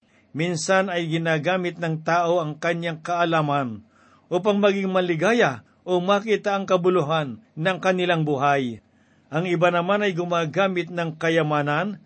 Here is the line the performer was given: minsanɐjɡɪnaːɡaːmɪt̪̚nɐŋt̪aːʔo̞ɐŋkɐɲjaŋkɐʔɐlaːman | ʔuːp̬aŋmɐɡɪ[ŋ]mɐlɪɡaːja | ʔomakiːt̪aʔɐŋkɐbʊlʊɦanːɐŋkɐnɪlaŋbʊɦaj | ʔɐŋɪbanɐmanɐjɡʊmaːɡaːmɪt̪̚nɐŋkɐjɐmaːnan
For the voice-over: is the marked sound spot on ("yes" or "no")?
yes